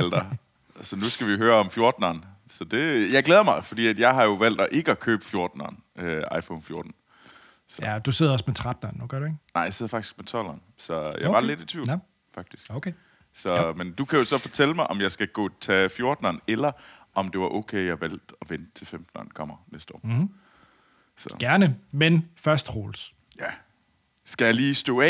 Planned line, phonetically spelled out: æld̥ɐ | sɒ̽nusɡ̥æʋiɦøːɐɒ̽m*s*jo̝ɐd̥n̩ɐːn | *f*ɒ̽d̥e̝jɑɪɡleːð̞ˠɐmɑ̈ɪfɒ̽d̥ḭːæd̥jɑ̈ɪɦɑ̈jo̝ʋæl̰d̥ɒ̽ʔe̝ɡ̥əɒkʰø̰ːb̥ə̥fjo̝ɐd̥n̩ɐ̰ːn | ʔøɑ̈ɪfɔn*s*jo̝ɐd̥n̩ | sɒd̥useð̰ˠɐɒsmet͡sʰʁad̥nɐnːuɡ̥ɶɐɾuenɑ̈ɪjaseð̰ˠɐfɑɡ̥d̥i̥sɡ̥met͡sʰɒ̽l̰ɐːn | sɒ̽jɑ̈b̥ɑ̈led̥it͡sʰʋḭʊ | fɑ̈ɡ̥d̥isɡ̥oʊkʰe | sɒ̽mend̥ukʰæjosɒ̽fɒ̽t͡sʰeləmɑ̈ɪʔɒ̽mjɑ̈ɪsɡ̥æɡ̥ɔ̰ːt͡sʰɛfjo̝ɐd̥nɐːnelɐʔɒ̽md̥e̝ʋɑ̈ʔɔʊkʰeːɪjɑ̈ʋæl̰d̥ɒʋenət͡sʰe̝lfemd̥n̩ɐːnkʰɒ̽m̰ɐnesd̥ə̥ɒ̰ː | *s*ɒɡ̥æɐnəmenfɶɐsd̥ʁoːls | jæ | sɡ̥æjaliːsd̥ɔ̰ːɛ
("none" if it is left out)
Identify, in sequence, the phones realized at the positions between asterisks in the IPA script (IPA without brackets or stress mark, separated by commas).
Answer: f, s, f, s